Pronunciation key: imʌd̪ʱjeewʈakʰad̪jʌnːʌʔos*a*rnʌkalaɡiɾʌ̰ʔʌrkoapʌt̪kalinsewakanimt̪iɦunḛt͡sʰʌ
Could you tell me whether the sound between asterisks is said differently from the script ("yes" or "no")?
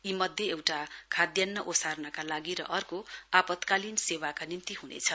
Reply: no